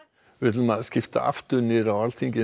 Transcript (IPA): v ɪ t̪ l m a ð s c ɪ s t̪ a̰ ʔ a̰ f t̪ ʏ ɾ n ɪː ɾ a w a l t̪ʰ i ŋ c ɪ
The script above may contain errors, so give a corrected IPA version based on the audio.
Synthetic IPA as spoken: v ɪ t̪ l m a ð s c ɪ f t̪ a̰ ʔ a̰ f t̪ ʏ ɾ n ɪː ɾ a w a l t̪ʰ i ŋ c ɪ